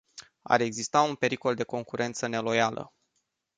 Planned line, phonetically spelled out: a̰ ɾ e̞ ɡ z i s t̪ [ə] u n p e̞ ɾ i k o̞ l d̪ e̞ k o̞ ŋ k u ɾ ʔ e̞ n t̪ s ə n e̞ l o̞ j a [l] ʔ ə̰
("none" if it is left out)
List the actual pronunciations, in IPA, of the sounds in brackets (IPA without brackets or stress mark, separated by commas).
a, l